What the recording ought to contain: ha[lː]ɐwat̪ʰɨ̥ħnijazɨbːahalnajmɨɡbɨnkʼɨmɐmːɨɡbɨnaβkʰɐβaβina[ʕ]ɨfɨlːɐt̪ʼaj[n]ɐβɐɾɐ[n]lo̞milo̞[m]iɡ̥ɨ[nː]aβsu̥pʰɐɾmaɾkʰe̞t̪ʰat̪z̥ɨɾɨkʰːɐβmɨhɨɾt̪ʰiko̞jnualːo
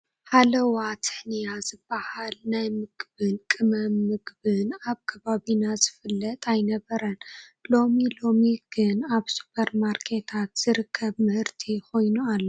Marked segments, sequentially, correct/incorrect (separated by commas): incorrect, incorrect, correct, correct, correct, incorrect